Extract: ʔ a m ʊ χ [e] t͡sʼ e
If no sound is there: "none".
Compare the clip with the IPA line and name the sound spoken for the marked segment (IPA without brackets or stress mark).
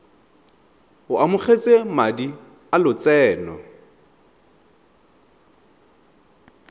e